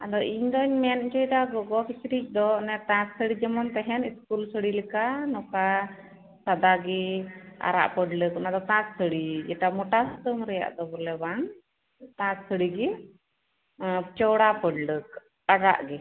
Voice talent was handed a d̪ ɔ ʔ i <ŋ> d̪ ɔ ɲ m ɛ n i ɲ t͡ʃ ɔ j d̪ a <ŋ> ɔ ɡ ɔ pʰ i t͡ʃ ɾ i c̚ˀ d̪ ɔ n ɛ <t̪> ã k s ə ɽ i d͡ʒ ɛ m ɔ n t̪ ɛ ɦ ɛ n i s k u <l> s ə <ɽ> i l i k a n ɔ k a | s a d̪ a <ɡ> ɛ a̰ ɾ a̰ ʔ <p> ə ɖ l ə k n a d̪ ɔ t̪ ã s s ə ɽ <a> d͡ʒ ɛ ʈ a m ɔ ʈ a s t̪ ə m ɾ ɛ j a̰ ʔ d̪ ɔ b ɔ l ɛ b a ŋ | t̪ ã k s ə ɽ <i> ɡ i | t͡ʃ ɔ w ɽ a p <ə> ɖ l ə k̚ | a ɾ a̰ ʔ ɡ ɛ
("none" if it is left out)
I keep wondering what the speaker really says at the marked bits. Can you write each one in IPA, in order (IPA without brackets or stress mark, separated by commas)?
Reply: ɲ, ɡ, t̪, l, ɽ, ɡ, p, i, i, ə